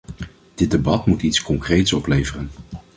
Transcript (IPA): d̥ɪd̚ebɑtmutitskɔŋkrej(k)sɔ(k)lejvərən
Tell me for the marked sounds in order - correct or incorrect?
incorrect: t, incorrect: p

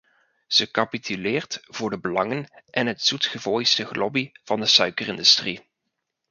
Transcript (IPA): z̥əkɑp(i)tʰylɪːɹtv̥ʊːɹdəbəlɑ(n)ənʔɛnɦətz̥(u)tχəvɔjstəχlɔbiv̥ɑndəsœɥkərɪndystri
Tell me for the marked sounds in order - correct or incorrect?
correct, incorrect: ŋ, correct

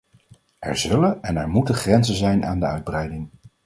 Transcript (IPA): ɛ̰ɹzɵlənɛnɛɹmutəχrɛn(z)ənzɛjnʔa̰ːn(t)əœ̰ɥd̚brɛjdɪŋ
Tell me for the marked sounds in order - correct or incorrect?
correct, incorrect: d

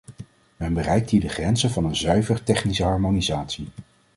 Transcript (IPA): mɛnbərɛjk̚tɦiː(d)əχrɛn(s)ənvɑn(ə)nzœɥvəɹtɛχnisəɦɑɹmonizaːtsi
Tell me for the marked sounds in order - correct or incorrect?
correct, incorrect: z, correct

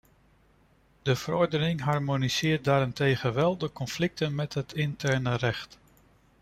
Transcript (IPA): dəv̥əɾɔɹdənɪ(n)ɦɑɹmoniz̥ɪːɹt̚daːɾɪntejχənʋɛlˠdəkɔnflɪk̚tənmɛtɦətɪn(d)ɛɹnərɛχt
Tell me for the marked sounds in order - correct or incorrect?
incorrect: ŋ, incorrect: t

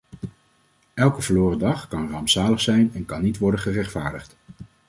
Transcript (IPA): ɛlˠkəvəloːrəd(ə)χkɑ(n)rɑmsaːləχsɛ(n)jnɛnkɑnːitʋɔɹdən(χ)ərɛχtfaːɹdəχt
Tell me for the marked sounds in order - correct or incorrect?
incorrect: ɑ, correct, incorrect: none, correct

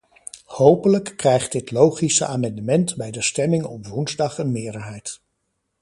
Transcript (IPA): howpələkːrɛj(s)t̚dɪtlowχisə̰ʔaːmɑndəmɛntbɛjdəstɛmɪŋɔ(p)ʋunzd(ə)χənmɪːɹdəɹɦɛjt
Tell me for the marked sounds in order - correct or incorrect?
incorrect: χ, correct, incorrect: ɑ

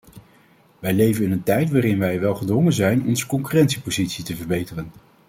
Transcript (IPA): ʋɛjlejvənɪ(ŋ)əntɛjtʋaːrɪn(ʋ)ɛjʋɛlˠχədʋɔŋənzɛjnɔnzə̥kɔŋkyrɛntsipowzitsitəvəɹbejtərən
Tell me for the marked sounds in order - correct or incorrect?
incorrect: n, correct

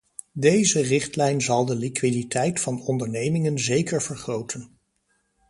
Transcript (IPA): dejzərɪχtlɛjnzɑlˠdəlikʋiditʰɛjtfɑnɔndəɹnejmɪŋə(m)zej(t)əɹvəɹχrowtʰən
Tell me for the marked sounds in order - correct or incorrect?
incorrect: n, incorrect: k

